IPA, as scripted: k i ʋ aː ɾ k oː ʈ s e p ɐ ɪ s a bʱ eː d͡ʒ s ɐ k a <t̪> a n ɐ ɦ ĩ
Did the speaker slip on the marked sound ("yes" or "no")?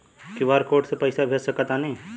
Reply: no